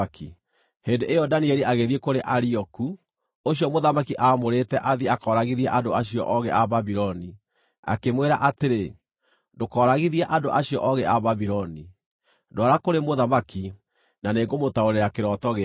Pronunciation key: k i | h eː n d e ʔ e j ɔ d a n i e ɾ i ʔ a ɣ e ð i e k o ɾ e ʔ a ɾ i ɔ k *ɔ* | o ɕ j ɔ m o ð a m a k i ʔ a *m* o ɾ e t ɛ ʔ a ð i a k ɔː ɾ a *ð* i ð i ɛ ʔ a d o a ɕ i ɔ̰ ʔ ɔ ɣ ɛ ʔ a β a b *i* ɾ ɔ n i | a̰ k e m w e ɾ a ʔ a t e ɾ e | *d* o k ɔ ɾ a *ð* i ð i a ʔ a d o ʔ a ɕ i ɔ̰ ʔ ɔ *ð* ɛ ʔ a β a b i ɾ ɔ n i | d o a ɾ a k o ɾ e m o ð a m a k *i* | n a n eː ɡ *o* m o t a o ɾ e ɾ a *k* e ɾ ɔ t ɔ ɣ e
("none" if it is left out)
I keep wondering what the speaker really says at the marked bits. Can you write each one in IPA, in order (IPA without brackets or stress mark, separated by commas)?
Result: u, m, ɣ, i, d, ɣ, ɣ, i, o, k